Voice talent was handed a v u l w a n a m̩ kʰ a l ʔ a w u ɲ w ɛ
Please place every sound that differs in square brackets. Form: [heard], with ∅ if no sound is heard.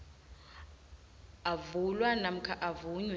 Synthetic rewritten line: a v u l w a n a m̩ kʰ a [∅] ʔ a [v] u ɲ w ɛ